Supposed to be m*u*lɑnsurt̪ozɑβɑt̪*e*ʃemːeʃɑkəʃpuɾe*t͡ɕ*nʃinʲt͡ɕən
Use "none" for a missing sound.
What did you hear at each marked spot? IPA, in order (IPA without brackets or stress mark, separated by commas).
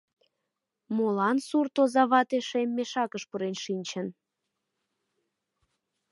o, e, none